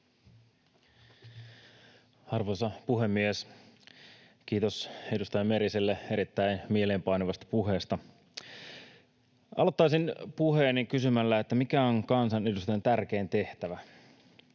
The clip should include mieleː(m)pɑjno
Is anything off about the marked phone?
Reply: no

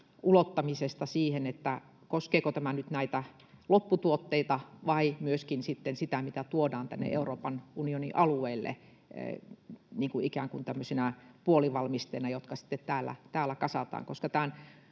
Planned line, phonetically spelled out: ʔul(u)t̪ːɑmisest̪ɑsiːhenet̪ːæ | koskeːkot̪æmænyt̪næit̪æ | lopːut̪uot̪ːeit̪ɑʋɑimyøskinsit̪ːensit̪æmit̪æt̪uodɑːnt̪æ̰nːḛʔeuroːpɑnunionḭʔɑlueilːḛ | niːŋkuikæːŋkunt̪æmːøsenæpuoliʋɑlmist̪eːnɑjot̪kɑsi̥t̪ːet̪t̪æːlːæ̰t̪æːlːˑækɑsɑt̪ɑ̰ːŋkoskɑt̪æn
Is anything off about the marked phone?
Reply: yes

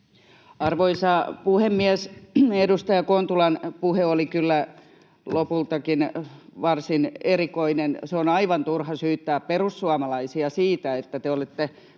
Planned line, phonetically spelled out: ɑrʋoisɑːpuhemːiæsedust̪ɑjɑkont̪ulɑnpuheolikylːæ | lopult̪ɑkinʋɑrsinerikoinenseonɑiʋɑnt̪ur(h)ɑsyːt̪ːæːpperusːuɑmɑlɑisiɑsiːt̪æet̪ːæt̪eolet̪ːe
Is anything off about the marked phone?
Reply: no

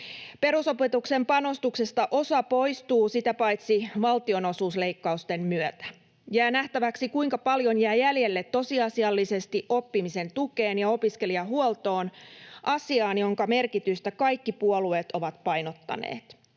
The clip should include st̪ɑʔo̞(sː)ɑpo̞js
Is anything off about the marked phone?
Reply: yes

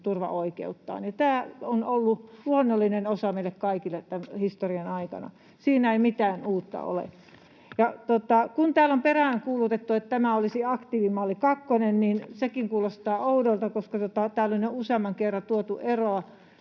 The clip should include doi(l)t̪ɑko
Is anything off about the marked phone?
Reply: no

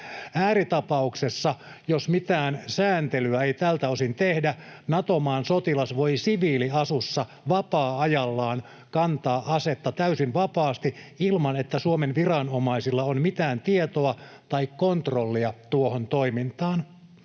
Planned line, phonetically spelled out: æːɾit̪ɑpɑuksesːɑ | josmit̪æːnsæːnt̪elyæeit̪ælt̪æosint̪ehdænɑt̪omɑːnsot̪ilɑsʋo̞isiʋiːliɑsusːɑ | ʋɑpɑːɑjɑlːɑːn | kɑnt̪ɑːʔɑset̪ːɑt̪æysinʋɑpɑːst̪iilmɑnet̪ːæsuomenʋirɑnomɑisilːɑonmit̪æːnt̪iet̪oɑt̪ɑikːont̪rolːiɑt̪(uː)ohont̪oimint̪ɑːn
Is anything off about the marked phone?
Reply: yes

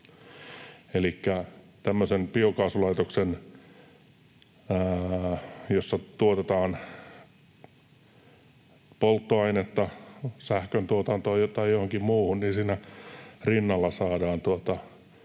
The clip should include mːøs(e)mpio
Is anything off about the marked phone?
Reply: no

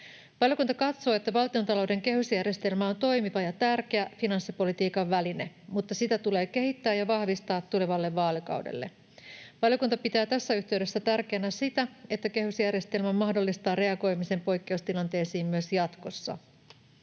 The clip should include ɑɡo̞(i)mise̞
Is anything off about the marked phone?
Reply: yes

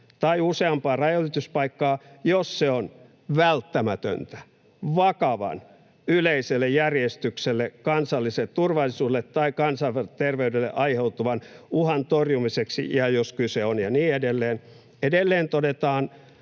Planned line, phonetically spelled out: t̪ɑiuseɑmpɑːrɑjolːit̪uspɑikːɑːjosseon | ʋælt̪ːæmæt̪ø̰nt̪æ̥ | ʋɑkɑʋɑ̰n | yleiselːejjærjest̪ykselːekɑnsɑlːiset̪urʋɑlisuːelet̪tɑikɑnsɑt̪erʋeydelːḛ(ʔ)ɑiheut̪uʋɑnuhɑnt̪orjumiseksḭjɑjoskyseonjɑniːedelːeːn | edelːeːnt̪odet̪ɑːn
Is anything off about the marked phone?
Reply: no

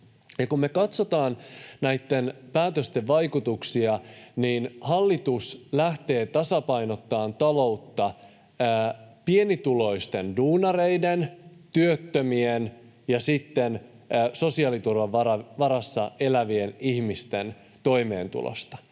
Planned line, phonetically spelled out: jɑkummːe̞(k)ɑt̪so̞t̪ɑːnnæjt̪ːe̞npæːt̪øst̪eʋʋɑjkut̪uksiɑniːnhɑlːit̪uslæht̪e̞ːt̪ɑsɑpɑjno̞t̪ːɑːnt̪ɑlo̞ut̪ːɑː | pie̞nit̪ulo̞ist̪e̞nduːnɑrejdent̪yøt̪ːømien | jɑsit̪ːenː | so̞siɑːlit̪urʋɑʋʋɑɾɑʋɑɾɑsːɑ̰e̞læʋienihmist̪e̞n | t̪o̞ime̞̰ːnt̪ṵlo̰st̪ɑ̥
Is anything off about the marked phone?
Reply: no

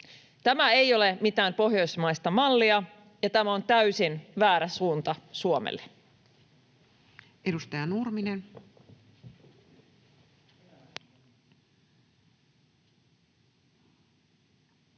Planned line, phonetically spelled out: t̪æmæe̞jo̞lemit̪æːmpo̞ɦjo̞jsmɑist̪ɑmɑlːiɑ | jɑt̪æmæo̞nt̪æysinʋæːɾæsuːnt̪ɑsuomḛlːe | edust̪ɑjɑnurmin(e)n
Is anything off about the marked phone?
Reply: no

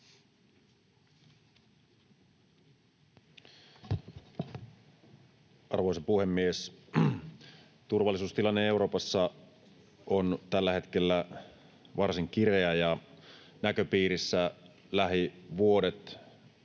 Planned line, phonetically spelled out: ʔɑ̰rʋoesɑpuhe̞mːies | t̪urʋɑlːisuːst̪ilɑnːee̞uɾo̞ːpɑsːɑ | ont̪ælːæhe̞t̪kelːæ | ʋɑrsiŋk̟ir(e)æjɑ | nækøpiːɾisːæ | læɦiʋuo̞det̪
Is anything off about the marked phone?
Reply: no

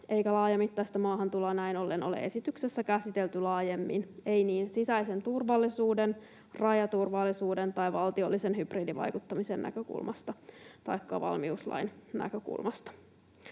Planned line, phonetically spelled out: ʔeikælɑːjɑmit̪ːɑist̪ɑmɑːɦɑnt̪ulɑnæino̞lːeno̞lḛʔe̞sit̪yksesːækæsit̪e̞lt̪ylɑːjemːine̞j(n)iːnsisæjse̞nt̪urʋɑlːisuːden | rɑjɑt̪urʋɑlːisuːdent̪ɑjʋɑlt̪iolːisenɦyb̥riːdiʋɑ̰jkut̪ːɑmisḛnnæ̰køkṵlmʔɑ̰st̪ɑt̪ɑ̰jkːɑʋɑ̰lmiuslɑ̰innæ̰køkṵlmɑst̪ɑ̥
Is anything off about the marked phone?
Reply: no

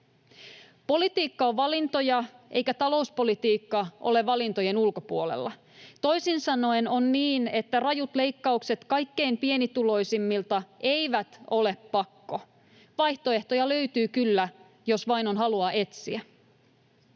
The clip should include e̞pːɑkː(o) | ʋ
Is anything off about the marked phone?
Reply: no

